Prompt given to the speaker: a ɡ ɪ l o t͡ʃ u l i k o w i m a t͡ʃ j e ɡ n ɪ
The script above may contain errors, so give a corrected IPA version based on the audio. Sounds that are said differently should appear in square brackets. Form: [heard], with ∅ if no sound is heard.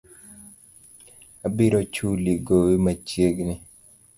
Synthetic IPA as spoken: a [b] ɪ [ɾ] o t͡ʃ u l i [ɡ] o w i m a t͡ʃ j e ɡ n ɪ